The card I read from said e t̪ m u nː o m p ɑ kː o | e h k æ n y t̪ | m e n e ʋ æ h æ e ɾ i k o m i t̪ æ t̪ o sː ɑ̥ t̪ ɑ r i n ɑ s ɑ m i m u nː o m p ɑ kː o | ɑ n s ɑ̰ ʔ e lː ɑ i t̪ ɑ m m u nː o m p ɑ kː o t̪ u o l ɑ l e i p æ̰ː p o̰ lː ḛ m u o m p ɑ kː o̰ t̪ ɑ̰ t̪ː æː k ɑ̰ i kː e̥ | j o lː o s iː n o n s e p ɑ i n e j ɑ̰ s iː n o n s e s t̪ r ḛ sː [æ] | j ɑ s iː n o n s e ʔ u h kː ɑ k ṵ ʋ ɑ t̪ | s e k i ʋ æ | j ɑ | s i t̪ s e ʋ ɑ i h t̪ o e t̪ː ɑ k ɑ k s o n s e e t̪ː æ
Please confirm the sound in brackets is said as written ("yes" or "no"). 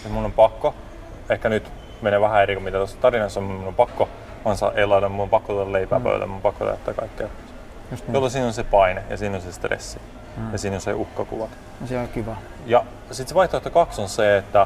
no